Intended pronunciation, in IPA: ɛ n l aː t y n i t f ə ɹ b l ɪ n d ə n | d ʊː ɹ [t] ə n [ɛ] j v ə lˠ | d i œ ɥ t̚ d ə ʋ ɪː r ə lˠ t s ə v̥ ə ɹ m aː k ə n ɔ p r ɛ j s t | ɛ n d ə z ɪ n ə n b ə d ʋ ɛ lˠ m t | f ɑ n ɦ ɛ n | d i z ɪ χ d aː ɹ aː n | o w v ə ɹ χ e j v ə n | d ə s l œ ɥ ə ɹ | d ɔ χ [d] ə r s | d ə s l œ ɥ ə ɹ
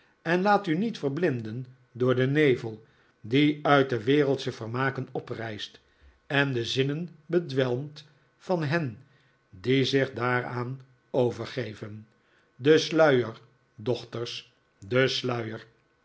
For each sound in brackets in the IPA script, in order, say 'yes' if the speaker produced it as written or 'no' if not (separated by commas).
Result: no, no, no